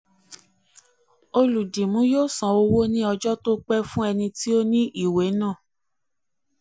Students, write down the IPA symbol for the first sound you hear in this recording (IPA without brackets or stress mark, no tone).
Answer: o